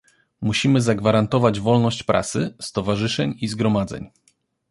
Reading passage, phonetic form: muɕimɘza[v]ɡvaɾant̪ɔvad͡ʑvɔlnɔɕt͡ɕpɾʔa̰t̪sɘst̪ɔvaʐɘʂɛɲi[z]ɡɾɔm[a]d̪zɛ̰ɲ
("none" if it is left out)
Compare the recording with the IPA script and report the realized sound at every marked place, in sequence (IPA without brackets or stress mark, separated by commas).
none, z, a